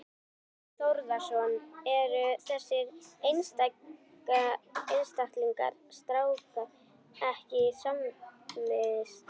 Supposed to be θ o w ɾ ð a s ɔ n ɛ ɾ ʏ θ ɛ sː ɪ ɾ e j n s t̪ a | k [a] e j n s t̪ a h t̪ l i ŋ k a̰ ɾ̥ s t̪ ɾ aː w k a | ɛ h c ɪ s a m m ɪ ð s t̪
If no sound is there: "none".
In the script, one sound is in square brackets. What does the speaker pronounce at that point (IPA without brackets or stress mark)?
a